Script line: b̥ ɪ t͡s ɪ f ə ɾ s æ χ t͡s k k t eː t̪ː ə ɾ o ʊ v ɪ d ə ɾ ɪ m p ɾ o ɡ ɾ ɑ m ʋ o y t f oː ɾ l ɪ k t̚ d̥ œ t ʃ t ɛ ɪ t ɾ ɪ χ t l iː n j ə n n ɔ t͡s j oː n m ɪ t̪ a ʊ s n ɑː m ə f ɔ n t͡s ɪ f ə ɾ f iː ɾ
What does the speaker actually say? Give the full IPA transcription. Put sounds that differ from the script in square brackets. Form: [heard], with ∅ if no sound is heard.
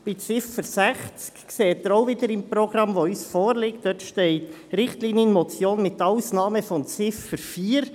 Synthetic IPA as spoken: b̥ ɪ t͡s ɪ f ə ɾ s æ χ t͡s k k [s] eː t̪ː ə ɾ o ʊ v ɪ d ə ɾ ɪ m p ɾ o ɡ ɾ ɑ m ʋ o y [s] f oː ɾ l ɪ k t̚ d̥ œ t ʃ t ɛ ɪ t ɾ ɪ χ t l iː n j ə n [m] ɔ t͡s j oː n m ɪ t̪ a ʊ s n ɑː m ə f ɔ n t͡s ɪ f ə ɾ f iː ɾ